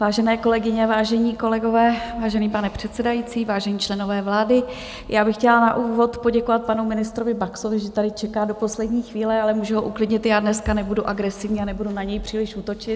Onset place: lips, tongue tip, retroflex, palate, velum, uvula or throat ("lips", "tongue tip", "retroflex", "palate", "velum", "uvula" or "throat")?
lips